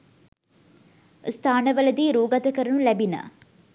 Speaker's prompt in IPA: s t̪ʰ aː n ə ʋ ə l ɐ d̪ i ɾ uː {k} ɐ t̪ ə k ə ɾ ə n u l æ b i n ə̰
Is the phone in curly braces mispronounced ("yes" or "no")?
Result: yes